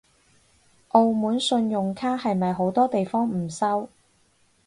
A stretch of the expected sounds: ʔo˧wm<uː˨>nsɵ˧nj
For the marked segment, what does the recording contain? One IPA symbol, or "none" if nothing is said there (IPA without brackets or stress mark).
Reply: uː˨˥